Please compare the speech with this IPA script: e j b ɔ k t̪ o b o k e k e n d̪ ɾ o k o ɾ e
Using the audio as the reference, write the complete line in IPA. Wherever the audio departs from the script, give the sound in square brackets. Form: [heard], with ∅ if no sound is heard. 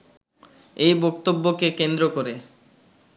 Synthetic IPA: e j b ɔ k t̪ o [bː] o k e k e n d̪ ɾ o k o ɾ e